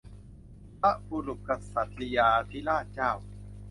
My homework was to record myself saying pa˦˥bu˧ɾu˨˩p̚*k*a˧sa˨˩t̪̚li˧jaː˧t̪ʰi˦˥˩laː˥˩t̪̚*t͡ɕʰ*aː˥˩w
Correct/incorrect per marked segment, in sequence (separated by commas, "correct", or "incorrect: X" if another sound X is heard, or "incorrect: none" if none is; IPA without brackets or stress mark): correct, incorrect: t͡ɕ